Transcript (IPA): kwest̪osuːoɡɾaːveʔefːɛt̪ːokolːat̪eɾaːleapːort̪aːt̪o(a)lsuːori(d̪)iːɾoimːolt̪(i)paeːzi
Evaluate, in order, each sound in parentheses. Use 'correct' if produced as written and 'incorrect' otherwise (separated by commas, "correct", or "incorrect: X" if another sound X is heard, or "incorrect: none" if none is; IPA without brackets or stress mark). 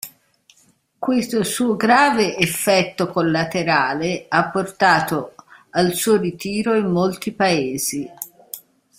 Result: correct, incorrect: t̪, correct